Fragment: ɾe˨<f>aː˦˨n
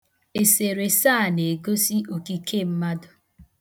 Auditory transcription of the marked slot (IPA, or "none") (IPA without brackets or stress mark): s